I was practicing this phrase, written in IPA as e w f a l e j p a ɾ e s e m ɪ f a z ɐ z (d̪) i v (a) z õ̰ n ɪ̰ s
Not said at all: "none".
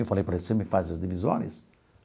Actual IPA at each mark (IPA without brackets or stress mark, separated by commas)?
d̪, i